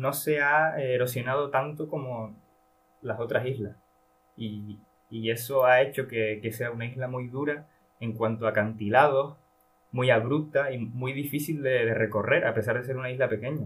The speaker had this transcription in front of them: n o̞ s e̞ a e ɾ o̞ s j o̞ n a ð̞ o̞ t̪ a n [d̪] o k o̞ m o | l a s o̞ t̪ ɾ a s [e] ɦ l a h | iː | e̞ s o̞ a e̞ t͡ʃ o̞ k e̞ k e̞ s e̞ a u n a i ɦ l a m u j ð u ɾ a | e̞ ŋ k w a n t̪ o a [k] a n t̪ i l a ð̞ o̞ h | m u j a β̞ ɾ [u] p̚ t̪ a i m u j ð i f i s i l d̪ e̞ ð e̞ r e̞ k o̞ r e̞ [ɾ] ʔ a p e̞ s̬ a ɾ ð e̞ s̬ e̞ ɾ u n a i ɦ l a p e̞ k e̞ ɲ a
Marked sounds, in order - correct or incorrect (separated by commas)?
incorrect, incorrect, correct, correct, correct